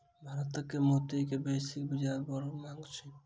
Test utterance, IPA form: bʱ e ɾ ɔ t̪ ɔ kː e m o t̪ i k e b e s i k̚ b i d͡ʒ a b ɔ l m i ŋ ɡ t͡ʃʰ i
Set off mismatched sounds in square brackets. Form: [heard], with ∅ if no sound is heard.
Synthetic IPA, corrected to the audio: bʱ [a] ɾ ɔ t̪ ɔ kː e m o t̪ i k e b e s i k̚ b i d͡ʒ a b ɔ [ɾ] m [a] ŋ ɡ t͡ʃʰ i